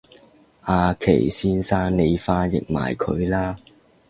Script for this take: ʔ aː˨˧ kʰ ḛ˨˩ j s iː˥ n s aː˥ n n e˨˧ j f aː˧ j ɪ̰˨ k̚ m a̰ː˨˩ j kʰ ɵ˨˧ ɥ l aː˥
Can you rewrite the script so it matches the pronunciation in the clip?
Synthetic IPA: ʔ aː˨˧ kʰ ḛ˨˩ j s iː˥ n s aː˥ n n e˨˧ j f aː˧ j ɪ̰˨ k̚ m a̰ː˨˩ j kʰ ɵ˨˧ ɥ l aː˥

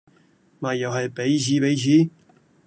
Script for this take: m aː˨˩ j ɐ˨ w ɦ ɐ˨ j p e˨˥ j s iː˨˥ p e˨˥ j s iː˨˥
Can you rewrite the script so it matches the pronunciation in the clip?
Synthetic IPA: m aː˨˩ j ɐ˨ w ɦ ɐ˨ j p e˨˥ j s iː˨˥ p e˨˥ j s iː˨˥

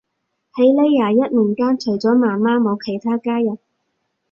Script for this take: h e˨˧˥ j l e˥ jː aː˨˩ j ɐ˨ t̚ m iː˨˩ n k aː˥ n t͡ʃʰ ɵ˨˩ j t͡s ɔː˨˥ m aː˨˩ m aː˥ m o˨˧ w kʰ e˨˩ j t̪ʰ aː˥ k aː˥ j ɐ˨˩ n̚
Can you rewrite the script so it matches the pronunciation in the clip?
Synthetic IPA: h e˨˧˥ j l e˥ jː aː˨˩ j ɐ˥ t̚ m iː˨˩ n k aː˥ n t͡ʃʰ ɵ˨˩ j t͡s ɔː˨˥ m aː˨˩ m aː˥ m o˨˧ w kʰ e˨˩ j t̪ʰ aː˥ k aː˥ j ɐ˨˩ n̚

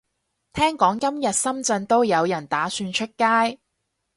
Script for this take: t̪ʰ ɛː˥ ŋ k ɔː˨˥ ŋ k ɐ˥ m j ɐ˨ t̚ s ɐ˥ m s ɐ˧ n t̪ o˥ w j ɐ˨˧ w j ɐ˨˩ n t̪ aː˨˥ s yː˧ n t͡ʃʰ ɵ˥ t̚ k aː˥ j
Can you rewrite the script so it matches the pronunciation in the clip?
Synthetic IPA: t̪ʰ ɛː˥ ŋ k ɔː˨˥ ŋ k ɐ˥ m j ɐ˨ t̚ s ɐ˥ m t͡s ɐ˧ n t̪ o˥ w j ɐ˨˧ w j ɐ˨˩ n t̪ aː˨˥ s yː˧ n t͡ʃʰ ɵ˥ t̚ k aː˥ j

